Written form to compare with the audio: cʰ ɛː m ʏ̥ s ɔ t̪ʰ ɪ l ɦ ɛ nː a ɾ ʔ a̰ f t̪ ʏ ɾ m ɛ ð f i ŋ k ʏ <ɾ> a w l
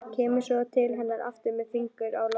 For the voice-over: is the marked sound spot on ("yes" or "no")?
yes